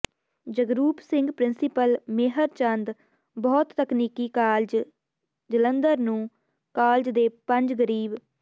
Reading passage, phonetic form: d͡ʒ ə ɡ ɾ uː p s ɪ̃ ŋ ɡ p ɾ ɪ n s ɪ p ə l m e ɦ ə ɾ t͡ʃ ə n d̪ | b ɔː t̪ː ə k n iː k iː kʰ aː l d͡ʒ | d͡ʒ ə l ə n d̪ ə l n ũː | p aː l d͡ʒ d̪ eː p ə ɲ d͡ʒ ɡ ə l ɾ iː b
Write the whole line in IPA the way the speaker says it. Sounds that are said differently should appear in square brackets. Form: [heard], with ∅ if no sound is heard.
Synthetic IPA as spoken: d͡ʒ ə ɡ ɾ uː p s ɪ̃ ŋ ɡ p ɾ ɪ n s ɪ p ə l m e ɦ ə ɾ t͡ʃ ə n d̪ | b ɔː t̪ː ə k n iː k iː [k] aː l d͡ʒ | d͡ʒ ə l ə n d̪ ə [ɾ] n ũː | [k] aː l d͡ʒ d̪ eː p ə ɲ d͡ʒ ɡ ə [∅] ɾ iː b